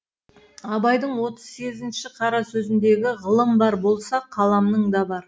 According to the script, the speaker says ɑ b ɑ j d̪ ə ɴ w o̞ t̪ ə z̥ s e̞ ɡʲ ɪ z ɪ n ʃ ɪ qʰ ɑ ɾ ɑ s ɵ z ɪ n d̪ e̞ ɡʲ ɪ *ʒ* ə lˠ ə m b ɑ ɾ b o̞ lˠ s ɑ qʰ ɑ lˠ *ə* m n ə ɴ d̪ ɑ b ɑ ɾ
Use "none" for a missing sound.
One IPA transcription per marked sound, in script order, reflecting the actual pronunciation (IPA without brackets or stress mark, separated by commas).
ʁ, ɑ